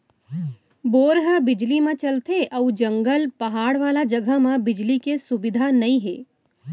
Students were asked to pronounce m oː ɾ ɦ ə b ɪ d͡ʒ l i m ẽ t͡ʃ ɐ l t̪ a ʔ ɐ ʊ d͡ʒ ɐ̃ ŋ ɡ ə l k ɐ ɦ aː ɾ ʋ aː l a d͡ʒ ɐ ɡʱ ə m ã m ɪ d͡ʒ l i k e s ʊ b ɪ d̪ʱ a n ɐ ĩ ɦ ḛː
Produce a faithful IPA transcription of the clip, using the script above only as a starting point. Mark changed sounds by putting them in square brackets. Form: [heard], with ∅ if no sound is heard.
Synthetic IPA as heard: [b] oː ɾ ɦ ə b ɪ d͡ʒ l i m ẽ t͡ʃ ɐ l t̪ [e] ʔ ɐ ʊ d͡ʒ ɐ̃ ŋ ɡ ə l [p] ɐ ɦ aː [ɽ] ʋ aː l a d͡ʒ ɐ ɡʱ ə m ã [b] ɪ d͡ʒ l i k e s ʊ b ɪ d̪ʱ a n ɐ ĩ ɦ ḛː